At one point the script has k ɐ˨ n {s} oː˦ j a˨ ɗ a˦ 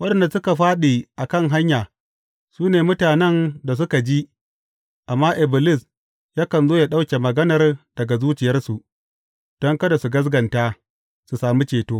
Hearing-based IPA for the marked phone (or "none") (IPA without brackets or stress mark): z